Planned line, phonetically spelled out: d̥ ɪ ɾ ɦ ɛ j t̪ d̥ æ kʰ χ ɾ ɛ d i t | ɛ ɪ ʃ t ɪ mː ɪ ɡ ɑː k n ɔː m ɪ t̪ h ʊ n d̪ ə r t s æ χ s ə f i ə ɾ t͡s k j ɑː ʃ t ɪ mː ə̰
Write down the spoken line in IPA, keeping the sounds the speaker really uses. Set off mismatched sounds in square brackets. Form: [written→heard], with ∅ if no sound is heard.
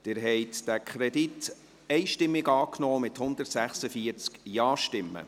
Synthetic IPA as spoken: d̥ ɪ ɾ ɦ ɛ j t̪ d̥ æ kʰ χ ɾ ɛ d i t | ɛ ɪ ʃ t ɪ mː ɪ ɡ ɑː k n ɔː m ɪ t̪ h ʊ n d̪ ə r t s æ χ s ə f i ə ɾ t͡s k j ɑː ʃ t ɪ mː ə̰